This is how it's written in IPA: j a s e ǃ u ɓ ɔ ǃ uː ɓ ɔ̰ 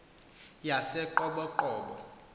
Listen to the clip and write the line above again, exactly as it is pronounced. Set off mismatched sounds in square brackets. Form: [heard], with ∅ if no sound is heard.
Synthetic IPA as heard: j a s [ɛ] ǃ [ɔ] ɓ ɔ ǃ [ɔː] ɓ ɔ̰